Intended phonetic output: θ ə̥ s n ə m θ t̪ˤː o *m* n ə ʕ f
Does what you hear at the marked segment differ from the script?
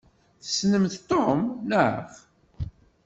no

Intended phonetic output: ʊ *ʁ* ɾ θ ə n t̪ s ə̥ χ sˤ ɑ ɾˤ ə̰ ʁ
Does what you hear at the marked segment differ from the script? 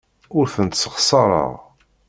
yes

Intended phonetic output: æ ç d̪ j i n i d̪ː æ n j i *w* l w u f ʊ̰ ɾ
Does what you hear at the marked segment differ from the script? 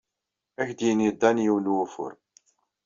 no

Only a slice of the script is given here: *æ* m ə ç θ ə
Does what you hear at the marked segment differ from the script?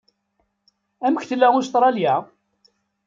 no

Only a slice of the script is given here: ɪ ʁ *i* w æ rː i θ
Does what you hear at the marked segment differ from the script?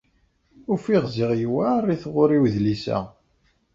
yes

